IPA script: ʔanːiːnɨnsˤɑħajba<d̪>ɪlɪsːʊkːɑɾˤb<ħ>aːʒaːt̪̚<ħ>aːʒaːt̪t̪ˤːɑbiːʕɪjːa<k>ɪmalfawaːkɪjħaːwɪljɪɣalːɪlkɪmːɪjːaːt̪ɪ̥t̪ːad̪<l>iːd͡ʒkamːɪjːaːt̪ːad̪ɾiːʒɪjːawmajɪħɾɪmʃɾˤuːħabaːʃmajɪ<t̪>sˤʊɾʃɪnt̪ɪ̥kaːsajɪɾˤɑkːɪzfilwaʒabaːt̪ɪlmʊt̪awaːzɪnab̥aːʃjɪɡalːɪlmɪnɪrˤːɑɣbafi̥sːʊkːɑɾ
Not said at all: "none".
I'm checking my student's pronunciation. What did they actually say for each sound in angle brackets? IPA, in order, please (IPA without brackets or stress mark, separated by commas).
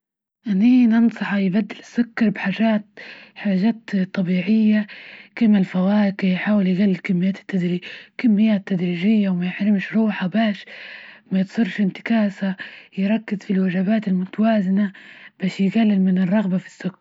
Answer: d̪ː, ħ, ħ, k, ɾ, t̪